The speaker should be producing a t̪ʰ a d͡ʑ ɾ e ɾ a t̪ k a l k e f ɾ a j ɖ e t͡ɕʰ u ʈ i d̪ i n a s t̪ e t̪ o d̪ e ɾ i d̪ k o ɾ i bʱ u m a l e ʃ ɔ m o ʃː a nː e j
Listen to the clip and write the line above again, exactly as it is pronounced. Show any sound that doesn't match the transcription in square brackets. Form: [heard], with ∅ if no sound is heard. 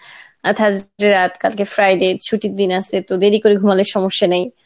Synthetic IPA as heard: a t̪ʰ a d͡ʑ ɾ e ɾ a t̪ k a l k e f ɾ a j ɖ e t͡ɕʰ u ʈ i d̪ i n a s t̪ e t̪ o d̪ e ɾ i [∅] k o ɾ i [ɡʱ] u m a l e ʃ ɔ m o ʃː a [n] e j

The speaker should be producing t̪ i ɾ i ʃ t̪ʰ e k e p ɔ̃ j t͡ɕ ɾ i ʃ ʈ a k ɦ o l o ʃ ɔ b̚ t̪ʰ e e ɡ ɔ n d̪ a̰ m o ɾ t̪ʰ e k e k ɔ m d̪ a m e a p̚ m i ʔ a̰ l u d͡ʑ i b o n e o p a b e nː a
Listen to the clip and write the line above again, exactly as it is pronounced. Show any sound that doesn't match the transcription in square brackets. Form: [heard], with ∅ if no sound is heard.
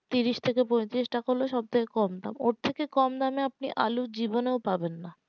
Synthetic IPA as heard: t̪ i ɾ i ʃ t̪ʰ e k e p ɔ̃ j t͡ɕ ɾ i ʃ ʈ a k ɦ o l o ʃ ɔ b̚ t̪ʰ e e [k] ɔ [m] d̪ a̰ m o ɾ t̪ʰ e k e k ɔ m d̪ a m e a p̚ [n] i ʔ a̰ l u d͡ʑ i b o n e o p a b e nː a

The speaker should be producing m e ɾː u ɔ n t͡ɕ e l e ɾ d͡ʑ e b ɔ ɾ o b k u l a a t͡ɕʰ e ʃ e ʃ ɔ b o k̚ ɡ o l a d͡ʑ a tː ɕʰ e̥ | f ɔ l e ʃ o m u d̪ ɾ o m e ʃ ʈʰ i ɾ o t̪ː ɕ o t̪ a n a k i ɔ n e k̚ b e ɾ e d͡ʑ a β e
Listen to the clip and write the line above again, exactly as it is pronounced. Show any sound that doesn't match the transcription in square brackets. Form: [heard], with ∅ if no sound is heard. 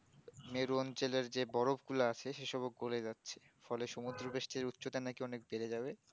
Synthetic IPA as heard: m e [ɾ] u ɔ n t͡ɕ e l e ɾ d͡ʑ e b ɔ ɾ o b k u l a a t͡ɕʰ e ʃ e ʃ ɔ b o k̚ ɡ o l [e] d͡ʑ a tː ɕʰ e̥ | f ɔ l e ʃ o m u d̪ ɾ o [b] e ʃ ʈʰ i ɾ [u] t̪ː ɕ o t̪ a n a k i ɔ n e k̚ b e ɾ e d͡ʑ a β e

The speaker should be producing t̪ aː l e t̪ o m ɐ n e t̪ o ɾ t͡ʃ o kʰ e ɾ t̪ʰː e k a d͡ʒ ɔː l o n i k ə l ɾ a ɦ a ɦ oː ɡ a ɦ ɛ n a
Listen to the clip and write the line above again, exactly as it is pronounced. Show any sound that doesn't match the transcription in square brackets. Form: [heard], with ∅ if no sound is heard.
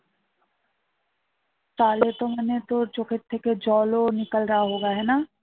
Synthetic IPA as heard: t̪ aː l e t̪ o m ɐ n e t̪ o ɾ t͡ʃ o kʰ e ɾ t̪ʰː e k [e] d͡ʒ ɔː l o n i k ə l ɾ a ɦ a ɦ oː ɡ a ɦ ɛ n a

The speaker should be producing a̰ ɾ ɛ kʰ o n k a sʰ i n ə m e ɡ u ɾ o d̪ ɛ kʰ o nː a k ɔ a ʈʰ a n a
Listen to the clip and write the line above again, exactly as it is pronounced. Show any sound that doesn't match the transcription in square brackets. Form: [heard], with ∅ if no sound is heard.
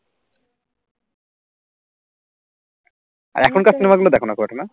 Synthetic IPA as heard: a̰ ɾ ɛ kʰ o n k a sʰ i n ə m [a] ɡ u [l] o d̪ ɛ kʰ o [n] a k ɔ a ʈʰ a n a

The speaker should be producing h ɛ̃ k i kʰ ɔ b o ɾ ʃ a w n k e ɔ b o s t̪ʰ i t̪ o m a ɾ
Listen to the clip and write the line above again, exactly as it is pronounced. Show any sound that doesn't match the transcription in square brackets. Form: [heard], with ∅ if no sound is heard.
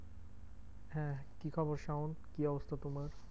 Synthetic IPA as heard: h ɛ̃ k i kʰ ɔ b o ɾ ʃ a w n k [i] ɔ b o s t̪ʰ [a] t̪ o m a ɾ

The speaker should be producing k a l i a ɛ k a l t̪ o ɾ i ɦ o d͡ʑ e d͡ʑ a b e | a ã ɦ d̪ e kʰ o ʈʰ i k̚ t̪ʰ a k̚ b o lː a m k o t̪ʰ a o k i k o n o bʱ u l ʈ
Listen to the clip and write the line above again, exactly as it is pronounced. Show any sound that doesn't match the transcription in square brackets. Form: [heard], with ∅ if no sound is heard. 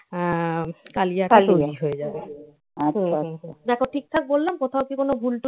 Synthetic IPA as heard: k a l i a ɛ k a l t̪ o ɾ i ɦ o [∅] e d͡ʑ a b e | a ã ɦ d̪ [ɛ] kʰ o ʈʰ i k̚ t̪ʰ a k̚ b o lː a m k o t̪ʰ a o k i k o n o bʱ u l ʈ

